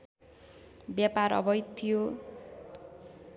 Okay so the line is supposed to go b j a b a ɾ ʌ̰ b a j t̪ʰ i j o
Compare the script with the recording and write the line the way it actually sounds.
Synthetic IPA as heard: b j a p a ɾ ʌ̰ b ʌ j t̪ʰ i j o